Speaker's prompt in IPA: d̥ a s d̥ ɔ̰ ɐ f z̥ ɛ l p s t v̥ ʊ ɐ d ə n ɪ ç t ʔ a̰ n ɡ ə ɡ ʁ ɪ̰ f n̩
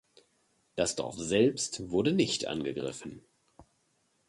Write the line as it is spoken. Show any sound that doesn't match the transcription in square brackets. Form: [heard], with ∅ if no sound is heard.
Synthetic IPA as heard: d̥ a s d̥ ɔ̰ ɐ f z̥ ɛ l p s t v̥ ʊ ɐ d ə n ɪ ç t ʔ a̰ n ɡ ə ɡ ʁ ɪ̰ f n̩